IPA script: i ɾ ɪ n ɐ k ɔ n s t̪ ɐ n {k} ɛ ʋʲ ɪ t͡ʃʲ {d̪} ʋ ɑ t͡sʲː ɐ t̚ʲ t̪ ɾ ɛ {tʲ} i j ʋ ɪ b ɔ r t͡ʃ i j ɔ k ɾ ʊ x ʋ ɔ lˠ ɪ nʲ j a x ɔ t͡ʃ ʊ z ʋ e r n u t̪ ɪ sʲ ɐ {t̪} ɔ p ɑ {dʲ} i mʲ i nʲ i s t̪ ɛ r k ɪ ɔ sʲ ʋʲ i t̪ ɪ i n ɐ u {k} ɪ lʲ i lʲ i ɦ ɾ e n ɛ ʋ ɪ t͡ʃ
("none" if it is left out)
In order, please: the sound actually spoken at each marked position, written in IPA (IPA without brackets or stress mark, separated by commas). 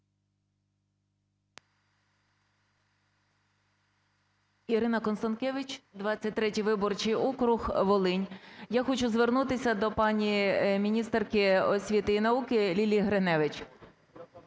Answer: k, d̪, tʲ, d̪, nʲ, k